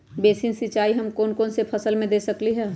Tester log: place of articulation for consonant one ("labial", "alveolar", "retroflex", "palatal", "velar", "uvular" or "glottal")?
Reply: labial